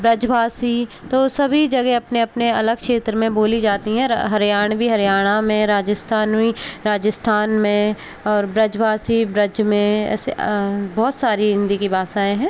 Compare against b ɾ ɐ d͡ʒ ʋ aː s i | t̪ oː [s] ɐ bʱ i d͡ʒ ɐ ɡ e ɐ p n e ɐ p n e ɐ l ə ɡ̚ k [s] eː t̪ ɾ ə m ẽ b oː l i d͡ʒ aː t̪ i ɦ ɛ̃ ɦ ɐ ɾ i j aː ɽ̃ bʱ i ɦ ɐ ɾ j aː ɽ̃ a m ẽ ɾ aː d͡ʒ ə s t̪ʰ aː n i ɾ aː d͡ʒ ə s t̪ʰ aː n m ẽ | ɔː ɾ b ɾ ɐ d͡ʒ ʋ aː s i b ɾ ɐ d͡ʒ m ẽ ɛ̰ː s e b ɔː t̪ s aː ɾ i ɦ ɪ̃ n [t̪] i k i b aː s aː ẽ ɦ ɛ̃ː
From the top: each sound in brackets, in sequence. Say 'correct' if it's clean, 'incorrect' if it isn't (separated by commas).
correct, incorrect, incorrect